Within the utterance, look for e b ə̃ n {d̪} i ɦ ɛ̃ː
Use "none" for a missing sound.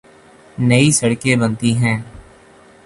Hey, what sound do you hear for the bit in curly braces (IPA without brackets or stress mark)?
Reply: t̪